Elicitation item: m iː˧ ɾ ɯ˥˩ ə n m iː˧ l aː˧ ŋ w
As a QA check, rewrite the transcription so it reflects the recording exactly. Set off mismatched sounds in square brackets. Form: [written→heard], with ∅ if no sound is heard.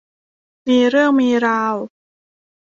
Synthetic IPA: m iː˧ ɾ ɯ˥˩ ə [n→ŋ] m iː˧ [l→ɾ] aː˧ [ŋ→∅] w